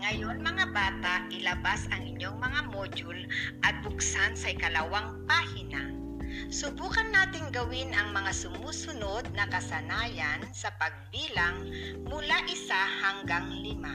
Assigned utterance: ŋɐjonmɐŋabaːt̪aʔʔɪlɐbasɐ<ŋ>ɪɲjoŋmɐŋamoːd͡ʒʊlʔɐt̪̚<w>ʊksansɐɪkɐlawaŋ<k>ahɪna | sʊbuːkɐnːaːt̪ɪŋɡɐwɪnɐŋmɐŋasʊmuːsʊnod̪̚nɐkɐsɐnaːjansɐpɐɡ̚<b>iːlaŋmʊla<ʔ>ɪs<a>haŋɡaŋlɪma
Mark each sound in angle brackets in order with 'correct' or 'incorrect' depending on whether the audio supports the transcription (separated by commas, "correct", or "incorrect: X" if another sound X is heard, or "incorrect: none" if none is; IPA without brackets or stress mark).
correct, incorrect: b, incorrect: p, correct, correct, correct